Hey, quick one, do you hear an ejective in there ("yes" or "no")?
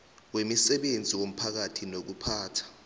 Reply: no